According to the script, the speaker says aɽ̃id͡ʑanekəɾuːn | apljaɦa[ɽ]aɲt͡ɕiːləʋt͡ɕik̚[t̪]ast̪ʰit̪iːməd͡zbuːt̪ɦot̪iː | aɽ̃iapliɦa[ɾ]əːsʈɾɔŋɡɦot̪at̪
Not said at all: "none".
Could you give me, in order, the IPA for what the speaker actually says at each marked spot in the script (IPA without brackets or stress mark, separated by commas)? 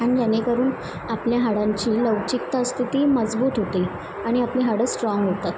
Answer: ɽ, t̪, ɽ